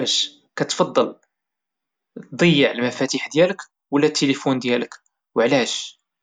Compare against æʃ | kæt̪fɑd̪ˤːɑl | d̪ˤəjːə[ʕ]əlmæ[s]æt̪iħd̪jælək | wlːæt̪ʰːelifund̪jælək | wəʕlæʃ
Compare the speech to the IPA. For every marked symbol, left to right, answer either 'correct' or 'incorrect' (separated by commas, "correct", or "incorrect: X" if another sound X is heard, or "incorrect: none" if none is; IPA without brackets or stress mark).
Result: correct, incorrect: f